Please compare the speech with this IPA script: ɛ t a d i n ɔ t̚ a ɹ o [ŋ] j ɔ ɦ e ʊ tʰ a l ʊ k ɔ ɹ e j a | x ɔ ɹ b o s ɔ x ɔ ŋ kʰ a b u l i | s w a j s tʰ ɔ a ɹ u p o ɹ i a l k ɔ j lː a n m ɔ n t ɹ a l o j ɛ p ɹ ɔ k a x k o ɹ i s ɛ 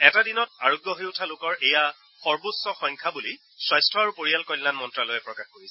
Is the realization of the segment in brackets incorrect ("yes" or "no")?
yes